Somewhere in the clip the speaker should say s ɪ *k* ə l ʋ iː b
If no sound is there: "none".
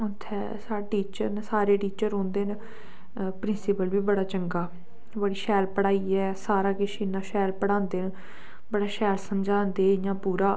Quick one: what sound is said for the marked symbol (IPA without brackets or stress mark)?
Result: p